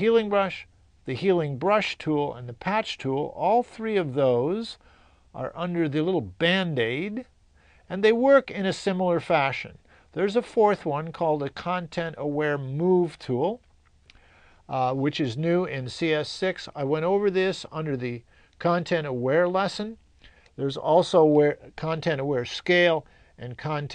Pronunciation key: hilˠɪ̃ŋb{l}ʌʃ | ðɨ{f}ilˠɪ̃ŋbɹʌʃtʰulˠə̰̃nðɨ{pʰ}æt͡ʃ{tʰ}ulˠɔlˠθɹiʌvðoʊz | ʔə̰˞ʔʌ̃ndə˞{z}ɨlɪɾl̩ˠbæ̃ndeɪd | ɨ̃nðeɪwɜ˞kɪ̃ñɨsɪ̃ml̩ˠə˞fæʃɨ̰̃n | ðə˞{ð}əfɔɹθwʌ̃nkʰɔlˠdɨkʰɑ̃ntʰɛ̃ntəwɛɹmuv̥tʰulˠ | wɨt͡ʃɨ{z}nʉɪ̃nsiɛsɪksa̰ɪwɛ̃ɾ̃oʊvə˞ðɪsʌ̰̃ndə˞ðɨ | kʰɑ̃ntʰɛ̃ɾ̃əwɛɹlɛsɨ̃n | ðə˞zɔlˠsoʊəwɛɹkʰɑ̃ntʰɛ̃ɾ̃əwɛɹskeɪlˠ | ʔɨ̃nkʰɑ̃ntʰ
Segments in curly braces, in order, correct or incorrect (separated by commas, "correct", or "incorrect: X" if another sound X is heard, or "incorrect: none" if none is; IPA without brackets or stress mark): incorrect: ɹ, incorrect: h, correct, correct, incorrect: ð, incorrect: z, correct